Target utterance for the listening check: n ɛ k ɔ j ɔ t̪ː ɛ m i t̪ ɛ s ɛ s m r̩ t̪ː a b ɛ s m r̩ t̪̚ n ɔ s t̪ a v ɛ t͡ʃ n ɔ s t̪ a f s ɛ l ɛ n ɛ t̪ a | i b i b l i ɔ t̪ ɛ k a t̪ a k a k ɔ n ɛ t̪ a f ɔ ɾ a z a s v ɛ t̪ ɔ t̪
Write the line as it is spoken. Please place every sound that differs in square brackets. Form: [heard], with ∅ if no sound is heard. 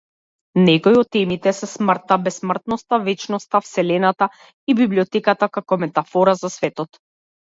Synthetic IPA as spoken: n ɛ k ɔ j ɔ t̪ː ɛ m i t̪ ɛ s ɛ s m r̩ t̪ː a b ɛ s m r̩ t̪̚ n ɔ s t̪ a v ɛ t͡ʃ n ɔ s t̪ a f s ɛ l ɛ n [a] t̪ a | i b i b l i ɔ t̪ ɛ k a t̪ a k a k ɔ [m] ɛ t̪ a f ɔ ɾ a z a s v ɛ t̪ ɔ t̪